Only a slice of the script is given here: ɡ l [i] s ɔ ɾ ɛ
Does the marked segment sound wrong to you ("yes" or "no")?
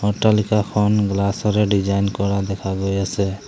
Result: yes